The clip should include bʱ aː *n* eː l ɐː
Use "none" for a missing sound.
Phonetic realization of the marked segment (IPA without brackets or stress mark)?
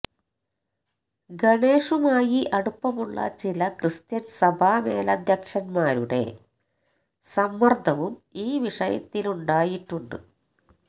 m